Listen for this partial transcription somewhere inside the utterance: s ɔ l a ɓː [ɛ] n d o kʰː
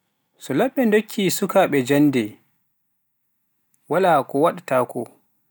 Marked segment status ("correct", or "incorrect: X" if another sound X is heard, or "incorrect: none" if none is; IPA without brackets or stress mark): correct